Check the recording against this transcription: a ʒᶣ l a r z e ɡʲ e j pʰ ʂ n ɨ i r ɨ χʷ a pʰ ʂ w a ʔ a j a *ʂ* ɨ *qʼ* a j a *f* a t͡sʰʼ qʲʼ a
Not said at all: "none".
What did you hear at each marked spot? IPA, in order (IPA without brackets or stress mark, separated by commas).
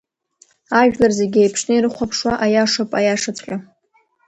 ʂ, pʼ, ʂ